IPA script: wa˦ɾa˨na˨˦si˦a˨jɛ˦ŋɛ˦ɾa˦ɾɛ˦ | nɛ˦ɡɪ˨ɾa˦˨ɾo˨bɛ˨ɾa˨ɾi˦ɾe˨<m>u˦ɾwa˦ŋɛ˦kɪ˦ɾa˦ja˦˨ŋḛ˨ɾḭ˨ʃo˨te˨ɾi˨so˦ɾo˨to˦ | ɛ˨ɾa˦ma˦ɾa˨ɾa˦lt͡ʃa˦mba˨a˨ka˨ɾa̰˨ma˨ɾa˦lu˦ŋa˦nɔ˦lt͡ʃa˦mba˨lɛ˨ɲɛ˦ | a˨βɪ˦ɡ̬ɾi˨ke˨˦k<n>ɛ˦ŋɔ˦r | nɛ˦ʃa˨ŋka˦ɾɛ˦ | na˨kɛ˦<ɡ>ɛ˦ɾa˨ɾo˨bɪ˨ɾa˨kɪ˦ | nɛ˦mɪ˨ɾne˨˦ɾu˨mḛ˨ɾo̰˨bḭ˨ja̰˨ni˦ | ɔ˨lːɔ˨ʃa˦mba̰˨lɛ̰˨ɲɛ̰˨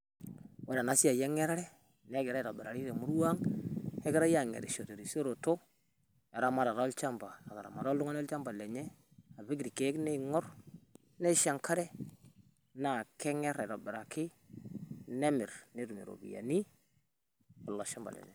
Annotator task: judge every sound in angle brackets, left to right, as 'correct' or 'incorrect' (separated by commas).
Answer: correct, correct, incorrect